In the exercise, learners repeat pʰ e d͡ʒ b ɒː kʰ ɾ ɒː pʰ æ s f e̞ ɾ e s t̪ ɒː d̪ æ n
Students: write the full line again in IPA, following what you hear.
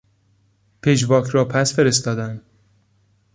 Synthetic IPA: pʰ e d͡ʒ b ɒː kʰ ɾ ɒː pʰ æ s f e̞ ɾ e s t̪ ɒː d̪ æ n